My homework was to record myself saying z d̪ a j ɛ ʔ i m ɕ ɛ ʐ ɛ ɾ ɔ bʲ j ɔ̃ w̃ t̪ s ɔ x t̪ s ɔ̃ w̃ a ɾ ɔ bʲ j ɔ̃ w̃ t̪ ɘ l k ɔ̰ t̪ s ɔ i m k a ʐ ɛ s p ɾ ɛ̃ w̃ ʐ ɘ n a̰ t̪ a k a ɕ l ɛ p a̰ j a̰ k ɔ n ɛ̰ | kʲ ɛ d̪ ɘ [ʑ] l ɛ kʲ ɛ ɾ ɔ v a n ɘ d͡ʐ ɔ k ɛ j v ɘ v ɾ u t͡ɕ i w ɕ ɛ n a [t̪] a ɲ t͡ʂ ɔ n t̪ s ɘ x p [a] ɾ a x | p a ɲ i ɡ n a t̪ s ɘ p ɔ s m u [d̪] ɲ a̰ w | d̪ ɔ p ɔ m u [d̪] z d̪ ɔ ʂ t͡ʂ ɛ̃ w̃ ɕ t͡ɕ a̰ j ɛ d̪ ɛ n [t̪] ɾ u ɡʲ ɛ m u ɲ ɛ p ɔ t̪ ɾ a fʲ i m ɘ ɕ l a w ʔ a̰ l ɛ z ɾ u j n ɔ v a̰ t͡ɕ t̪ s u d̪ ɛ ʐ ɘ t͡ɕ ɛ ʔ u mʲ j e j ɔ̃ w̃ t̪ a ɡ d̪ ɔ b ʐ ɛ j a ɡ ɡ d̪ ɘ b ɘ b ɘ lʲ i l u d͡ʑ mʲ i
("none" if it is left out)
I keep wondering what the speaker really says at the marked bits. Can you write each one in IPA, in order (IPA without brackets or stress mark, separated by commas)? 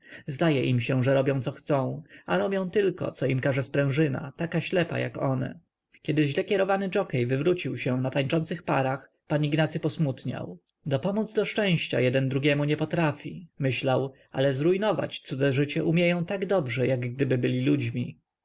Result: ʑ, t̪, a, t̪, d̪, d̪